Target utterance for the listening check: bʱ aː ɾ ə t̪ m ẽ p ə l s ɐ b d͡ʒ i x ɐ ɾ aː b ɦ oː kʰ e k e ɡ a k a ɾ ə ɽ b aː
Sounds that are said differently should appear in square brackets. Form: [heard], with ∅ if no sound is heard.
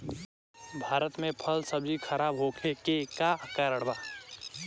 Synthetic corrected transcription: bʱ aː ɾ ə t̪ m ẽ [pʰ] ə l s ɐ b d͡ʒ i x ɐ ɾ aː b ɦ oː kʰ e k e [k] a k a ɾ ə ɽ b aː